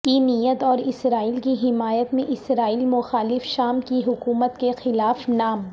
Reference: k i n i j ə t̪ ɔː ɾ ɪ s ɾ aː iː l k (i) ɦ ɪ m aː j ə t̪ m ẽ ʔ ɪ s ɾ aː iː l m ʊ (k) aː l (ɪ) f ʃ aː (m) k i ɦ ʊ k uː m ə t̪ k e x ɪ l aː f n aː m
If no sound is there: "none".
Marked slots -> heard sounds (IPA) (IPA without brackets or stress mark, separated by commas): i, x, ɪ, m